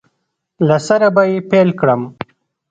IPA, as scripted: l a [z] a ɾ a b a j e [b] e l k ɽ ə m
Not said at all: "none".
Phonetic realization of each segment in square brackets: s, p

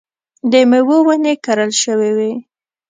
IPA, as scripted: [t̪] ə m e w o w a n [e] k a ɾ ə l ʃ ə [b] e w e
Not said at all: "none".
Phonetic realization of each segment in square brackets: d̪, e, w

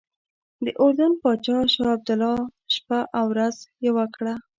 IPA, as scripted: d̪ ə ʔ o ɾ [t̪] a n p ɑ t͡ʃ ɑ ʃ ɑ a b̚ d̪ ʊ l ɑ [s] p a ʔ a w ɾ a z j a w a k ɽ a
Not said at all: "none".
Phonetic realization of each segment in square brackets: d̪, ʃ

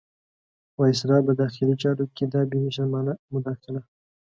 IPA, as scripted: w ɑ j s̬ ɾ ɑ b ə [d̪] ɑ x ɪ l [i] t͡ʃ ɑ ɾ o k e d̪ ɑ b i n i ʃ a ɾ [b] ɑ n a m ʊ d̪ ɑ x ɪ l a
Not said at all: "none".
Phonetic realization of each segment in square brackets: d̪, i, m

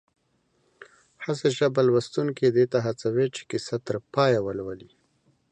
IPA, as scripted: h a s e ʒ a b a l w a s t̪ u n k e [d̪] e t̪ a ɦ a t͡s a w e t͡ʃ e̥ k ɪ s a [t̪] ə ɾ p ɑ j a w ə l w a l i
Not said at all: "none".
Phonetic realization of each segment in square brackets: d̪, t̪

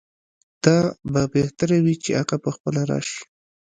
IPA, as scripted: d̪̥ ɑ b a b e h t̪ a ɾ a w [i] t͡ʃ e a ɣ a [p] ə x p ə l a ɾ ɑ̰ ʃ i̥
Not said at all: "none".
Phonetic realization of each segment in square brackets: i, p

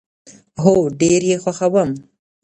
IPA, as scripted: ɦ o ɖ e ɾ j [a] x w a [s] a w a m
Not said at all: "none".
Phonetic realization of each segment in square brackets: e, x

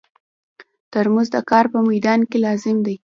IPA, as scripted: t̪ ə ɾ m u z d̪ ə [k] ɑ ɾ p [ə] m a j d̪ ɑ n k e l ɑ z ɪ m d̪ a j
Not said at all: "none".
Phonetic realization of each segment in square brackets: k, ə

